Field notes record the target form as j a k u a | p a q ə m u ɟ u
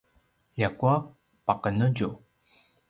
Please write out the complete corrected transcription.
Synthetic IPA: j a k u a | p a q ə n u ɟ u